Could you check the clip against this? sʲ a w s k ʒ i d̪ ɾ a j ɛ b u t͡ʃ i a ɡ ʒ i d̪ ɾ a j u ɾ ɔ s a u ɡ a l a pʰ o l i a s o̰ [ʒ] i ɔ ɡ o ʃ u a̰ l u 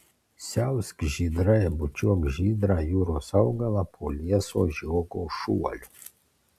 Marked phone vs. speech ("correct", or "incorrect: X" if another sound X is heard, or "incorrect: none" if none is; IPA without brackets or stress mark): correct